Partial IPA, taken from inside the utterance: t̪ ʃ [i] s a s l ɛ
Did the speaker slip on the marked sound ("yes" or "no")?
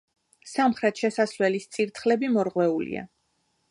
yes